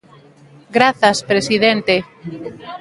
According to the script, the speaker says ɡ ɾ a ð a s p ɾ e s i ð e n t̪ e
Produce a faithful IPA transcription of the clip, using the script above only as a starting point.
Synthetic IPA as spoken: ɡ ɾ a θ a s p ɾ e s i ð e n t̪ e